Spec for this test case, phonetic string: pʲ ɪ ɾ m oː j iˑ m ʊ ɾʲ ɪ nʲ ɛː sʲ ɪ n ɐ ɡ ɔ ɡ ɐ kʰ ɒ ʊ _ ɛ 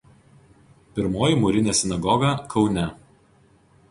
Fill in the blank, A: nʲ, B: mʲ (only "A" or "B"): A